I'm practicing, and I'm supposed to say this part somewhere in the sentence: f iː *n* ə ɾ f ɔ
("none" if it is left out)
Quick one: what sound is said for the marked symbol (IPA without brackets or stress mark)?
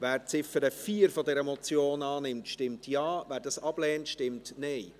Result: none